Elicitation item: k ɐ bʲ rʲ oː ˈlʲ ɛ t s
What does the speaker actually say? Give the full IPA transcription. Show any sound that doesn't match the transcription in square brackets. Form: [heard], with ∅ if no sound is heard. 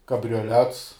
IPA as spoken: k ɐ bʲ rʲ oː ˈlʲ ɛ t s

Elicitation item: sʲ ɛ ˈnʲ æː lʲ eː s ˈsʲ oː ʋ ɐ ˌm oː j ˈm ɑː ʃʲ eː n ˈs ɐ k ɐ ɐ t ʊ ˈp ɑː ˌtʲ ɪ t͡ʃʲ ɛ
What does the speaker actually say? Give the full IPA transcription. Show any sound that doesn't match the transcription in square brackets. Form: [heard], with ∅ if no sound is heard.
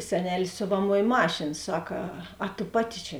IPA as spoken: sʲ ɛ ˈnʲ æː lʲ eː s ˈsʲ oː ʋ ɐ ˌm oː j ˈm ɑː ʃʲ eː n ˈs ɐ k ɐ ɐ t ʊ ˈp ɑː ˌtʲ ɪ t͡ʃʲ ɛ

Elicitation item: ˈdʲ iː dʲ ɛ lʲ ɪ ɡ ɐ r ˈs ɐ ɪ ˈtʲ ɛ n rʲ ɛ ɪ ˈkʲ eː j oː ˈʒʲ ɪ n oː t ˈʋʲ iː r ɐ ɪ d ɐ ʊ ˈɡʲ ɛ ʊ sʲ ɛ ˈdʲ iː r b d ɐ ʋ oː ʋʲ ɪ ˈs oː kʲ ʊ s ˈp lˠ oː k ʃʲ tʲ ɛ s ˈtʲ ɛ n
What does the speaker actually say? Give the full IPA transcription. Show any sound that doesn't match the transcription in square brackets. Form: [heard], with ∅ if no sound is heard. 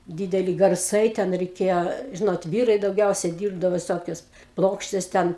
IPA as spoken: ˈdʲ iː dʲ ɛ lʲ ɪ ɡ ɐ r ˈs ɐ ɪ ˈtʲ ɛ n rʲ ɛ ɪ ˈkʲ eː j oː ˈʒʲ ɪ n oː t ˈʋʲ iː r ɐ ɪ d ɐ ʊ ˈɡʲ ɛ ʊ sʲ ɛ ˈdʲ iː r b d ɐ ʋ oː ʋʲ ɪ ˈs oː kʲ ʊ s ˈp lˠ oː k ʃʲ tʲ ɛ s ˈtʲ ɛ n

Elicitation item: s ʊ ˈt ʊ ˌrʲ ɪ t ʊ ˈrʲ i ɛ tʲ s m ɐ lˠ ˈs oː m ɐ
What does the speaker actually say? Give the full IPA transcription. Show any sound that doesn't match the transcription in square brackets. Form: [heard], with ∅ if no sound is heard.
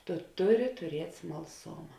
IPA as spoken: [t] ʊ ˈt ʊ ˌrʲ ɪ t ʊ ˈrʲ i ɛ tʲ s m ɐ lˠ ˈs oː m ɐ

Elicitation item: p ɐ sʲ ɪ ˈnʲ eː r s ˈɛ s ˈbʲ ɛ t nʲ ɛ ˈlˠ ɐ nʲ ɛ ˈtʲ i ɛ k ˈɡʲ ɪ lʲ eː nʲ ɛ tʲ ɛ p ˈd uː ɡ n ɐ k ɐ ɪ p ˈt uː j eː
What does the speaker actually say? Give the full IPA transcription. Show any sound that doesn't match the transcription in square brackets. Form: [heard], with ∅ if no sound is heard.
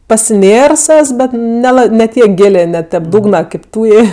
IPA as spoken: p ɐ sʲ ɪ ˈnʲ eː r s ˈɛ s ˈbʲ ɛ t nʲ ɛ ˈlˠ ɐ nʲ ɛ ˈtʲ i ɛ k ˈɡʲ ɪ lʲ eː nʲ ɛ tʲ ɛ p ˈd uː ɡ n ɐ k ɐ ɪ p ˈt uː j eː

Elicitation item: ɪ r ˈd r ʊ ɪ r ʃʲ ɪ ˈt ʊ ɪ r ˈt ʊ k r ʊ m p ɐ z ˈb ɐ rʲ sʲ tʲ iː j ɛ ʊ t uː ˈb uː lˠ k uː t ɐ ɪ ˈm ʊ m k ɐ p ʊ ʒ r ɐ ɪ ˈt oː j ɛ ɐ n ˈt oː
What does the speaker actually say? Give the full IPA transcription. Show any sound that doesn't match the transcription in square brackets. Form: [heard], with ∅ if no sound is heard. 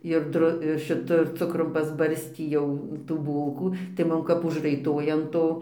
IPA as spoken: ɪ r ˈd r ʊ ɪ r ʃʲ ɪ ˈt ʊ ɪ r [ˈt͡s] ʊ k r ʊ m p ɐ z ˈb ɐ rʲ sʲ tʲ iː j ɛ ʊ t uː ˈb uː lˠ k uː t ɐ ɪ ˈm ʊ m k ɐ p ʊ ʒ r ɐ ɪ ˈt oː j ɛ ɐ n ˈt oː

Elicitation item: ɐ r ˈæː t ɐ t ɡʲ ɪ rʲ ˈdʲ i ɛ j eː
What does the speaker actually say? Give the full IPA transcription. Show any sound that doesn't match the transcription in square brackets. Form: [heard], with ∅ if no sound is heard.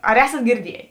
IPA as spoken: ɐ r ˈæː [s] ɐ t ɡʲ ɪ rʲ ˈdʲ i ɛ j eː

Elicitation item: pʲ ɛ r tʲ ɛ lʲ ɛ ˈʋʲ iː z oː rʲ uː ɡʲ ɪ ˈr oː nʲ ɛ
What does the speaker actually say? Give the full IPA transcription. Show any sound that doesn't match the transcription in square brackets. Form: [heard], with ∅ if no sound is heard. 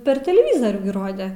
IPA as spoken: pʲ ɛ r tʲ ɛ lʲ ɛ ˈʋʲ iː z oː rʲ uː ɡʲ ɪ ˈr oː [dʲ] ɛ

